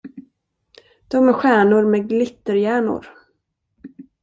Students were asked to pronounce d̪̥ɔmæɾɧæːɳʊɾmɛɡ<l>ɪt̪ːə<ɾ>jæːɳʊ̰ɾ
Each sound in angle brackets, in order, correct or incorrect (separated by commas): correct, correct